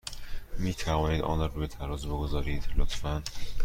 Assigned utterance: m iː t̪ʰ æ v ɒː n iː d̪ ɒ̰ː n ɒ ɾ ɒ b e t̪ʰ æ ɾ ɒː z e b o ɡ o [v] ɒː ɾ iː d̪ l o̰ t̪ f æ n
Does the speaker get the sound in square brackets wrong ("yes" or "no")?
yes